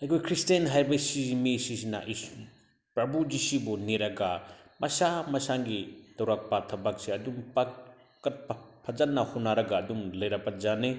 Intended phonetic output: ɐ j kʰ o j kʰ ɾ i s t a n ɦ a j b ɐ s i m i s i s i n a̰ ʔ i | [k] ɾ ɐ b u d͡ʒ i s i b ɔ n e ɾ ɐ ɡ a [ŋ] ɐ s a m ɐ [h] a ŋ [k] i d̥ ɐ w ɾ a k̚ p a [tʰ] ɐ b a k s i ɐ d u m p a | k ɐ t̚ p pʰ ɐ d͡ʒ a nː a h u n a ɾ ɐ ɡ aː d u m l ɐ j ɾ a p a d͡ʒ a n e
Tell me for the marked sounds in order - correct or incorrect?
incorrect: p, incorrect: m, incorrect: s, incorrect: ɡ, correct

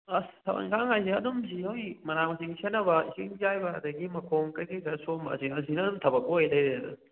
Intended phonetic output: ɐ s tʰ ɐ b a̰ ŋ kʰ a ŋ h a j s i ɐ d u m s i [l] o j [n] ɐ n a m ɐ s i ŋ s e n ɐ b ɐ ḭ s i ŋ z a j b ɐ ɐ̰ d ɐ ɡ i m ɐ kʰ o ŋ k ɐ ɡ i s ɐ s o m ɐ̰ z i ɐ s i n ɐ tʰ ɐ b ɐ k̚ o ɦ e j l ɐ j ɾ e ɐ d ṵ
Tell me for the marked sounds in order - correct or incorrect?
incorrect: none, incorrect: m

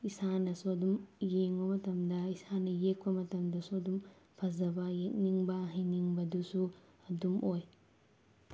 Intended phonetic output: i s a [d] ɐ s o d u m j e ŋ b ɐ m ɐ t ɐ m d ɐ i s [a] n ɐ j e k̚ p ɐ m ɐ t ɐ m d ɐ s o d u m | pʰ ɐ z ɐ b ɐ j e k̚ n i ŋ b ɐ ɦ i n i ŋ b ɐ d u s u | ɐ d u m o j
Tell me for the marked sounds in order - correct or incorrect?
incorrect: n, correct

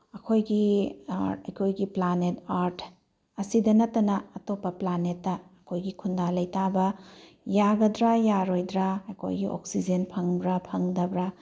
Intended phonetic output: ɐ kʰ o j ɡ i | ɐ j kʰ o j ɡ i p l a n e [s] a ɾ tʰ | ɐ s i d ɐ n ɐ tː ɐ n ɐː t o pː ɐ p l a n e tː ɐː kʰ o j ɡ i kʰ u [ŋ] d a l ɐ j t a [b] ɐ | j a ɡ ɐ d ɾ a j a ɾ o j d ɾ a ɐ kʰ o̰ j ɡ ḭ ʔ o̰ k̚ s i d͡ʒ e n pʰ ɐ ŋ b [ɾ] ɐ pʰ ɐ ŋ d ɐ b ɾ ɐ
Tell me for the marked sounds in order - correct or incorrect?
incorrect: t, incorrect: n, correct, correct

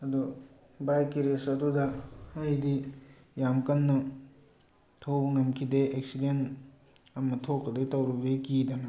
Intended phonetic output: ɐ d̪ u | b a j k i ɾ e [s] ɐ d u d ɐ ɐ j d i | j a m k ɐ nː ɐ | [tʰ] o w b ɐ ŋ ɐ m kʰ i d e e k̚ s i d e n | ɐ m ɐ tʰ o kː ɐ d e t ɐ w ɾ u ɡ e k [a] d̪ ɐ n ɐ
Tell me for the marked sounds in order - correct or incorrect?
correct, correct, incorrect: i

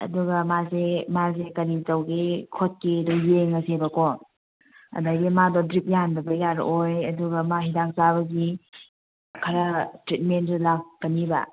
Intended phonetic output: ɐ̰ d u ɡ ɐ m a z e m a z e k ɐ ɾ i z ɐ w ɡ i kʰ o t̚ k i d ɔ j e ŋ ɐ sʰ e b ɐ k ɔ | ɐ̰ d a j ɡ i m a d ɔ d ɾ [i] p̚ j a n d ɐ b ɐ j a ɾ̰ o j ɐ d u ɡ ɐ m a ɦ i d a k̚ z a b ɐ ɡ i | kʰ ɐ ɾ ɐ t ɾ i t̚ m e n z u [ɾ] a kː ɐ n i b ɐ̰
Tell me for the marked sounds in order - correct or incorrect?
correct, incorrect: l

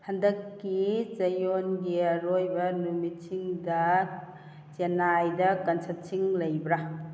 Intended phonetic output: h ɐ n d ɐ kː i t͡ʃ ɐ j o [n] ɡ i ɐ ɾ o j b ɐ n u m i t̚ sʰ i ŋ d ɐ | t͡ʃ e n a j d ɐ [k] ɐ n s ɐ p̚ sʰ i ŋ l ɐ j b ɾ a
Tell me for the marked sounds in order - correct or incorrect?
correct, correct

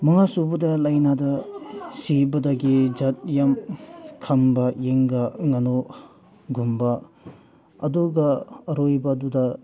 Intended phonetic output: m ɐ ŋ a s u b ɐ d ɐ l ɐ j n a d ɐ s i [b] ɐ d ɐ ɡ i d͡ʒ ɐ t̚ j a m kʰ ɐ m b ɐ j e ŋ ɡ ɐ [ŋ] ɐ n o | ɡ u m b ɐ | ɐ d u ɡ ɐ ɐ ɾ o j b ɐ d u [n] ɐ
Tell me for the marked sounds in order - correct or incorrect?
correct, correct, incorrect: d

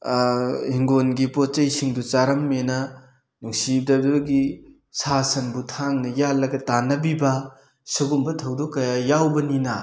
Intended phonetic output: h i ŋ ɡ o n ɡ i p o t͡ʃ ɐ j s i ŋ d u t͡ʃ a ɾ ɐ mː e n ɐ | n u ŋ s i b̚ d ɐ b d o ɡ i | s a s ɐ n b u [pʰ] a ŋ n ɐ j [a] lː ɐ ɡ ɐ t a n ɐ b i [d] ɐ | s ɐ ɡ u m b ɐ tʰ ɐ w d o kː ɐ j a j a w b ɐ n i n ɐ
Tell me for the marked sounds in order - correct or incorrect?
incorrect: tʰ, correct, incorrect: b

